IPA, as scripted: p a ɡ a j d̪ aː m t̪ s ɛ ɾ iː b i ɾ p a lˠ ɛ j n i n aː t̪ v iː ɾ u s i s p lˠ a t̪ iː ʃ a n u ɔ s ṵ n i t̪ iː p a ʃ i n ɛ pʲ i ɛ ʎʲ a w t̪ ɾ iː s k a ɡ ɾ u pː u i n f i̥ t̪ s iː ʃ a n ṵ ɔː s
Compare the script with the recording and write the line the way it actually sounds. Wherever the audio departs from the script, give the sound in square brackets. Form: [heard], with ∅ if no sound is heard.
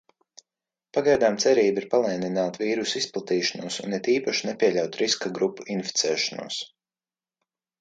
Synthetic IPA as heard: p a ɡ a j d̪ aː m t̪ s ɛ ɾ iː b i ɾ p a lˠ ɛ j n i n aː t̪ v iː ɾ u s i s p lˠ a t̪ iː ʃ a n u ɔ s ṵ n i t̪ iː p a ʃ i n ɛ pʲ i ɛ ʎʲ a w t̪ ɾ [i] s k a ɡ ɾ u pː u i n f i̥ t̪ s [ɛː] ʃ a n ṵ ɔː s